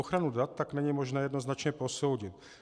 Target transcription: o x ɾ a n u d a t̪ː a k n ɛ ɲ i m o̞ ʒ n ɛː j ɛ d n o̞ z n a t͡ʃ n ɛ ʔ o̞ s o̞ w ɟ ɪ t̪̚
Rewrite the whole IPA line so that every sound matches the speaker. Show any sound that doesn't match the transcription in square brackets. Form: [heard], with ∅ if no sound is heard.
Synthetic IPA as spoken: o x ɾ a n u d a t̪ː a k n ɛ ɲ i m o̞ ʒ n ɛː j ɛ d n o̞ z n a t͡ʃ [ɲ] ɛ [p] o̞ s o̞ w ɟ ɪ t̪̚